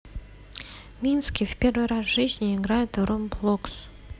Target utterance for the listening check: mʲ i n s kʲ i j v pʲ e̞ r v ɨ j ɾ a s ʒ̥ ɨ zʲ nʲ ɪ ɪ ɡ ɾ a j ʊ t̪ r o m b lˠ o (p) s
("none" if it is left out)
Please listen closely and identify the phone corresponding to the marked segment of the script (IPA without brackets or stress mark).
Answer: k